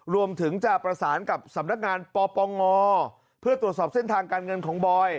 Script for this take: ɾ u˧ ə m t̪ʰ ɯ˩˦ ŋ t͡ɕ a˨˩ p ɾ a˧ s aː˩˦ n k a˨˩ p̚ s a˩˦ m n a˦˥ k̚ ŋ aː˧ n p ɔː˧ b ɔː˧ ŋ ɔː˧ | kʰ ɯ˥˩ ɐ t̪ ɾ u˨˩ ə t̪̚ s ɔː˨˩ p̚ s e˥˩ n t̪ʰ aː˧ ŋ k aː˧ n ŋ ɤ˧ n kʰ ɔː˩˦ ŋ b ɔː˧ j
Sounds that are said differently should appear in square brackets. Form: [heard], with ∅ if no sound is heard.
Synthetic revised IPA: ɾ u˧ ə m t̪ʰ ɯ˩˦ ŋ t͡ɕ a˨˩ p ɾ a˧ s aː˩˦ n k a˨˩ p̚ s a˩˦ m n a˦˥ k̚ ŋ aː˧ n p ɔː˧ [p] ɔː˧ ŋ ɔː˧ | [pʰ] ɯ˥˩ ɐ t̪ ɾ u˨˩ ə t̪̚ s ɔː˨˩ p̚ s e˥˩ n t̪ʰ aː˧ ŋ k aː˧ n ŋ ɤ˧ n kʰ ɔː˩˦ ŋ b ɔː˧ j

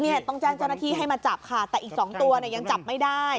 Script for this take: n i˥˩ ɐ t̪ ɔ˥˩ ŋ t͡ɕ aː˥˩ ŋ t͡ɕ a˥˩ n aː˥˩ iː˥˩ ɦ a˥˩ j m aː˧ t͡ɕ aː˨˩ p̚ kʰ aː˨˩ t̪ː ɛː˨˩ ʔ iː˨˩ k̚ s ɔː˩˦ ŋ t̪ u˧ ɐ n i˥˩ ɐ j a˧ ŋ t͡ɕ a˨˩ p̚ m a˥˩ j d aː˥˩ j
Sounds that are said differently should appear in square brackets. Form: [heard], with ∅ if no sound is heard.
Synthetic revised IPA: n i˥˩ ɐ t̪ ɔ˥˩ ŋ t͡ɕ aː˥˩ ŋ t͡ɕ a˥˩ n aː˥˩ iː˥˩ ɦ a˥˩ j m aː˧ t͡ɕ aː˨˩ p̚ kʰ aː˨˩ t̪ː ɛː˨˩ ʔ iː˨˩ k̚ s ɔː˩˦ ŋ t̪ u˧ ɐ n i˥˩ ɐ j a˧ ŋ t͡ɕ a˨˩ p̚ m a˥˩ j d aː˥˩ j

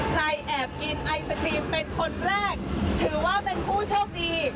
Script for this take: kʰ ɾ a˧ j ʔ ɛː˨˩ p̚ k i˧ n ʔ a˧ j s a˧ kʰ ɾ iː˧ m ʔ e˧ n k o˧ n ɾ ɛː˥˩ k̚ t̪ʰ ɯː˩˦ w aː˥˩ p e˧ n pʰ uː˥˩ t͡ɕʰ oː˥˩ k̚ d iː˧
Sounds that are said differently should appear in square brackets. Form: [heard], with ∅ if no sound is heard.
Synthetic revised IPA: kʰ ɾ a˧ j ʔ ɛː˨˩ p̚ k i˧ n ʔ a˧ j s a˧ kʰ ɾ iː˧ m [p] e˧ n [kʰ] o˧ n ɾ ɛː˥˩ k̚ t̪ʰ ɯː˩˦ w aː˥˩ p e˧ n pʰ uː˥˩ t͡ɕʰ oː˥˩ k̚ d iː˧

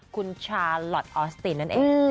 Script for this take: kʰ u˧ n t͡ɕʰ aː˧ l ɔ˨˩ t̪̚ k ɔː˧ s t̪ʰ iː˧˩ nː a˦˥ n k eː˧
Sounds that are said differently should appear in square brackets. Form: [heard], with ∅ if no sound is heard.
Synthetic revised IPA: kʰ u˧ n t͡ɕʰ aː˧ l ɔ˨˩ t̪̚ [ʔ] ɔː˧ s [t̪] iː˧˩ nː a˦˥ n [ʔ] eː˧

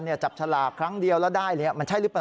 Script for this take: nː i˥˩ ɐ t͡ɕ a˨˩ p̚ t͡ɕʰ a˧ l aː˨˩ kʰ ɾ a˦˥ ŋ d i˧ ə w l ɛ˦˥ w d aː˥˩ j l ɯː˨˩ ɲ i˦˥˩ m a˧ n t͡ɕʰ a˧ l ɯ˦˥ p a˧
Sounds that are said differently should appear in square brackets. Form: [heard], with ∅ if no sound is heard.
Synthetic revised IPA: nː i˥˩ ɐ t͡ɕ a˨˩ p̚ t͡ɕʰ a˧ l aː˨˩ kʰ ɾ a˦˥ ŋ d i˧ ə w l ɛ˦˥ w d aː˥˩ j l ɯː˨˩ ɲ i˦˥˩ m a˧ n t͡ɕʰ [a˥˩] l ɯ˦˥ p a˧

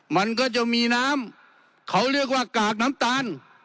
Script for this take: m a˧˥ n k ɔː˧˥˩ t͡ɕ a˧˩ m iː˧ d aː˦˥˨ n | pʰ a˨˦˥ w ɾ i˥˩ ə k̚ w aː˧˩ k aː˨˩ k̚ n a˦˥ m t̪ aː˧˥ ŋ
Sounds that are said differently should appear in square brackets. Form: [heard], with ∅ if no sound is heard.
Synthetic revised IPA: m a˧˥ n k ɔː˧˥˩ t͡ɕ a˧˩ m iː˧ [n] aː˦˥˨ [m] | [kʰ] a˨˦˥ w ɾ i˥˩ ə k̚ w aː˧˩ k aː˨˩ k̚ n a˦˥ m t̪ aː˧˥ [n]

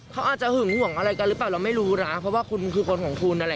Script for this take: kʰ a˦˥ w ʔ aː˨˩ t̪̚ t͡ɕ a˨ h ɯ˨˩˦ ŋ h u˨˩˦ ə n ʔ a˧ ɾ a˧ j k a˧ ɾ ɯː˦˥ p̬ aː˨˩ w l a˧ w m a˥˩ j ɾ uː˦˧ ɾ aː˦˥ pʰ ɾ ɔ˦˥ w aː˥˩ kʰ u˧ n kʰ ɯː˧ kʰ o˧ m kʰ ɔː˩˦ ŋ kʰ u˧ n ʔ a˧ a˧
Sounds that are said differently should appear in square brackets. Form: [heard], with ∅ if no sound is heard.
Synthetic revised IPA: kʰ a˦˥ w ʔ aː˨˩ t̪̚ t͡ɕ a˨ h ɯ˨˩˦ ŋ h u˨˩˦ ə [ŋ] ʔ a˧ ɾ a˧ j k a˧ ɾ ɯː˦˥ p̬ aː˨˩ w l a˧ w m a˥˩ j ɾ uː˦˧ ɾ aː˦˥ pʰ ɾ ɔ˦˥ w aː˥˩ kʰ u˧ n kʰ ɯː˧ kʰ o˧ [n] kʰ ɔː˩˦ ŋ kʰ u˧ n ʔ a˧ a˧

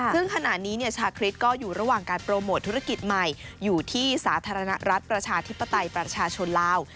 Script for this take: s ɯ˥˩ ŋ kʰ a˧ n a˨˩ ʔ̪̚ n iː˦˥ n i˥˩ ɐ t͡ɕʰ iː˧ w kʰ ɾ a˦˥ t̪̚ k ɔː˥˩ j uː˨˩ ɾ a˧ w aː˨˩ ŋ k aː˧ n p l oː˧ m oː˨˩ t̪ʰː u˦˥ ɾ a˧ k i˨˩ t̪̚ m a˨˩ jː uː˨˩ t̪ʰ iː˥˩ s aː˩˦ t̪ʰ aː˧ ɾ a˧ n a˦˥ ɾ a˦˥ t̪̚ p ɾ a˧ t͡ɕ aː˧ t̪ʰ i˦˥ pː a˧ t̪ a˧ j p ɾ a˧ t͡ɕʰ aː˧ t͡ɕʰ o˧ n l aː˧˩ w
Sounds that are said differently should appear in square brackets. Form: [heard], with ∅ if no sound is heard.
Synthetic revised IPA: s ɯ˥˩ ŋ kʰ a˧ n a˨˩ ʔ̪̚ n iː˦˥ n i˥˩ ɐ t͡ɕʰ [aː˧] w kʰ ɾ [i˦˥] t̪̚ k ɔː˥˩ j uː˨˩ ɾ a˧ w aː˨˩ ŋ k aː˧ n p [ɾ] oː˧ m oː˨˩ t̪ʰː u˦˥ ɾ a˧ k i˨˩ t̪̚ m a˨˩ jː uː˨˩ t̪ʰ iː˥˩ s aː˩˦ t̪ʰ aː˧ ɾ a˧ n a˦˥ ɾ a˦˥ t̪̚ p ɾ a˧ [t͡ɕʰ] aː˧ t̪ʰ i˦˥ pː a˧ t̪ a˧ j p ɾ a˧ t͡ɕʰ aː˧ t͡ɕʰ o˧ n l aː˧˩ w

